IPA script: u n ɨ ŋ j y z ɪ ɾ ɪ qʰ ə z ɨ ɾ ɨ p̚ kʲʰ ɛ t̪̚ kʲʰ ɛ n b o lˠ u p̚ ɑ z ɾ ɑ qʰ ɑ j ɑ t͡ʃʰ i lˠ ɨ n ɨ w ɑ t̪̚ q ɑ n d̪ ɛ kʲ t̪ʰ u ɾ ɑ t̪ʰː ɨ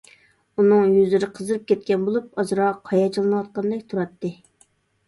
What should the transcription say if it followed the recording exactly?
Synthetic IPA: u n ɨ ŋ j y z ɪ ɾ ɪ qʰ ə z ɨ ɾ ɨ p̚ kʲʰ ɛ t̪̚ kʲ ɛ n b o lˠ u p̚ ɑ z ɾ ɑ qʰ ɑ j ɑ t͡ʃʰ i lˠ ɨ n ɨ w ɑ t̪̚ q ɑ n d̪ ɛ kʲ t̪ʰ u ɾ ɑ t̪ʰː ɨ